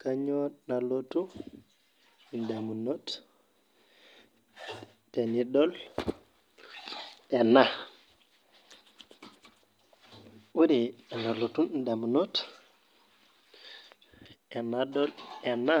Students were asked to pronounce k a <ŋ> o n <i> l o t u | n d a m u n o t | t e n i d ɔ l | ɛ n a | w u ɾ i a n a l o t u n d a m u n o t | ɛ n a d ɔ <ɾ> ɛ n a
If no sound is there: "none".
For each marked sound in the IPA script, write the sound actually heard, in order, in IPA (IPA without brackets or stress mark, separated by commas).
ɲ, a, l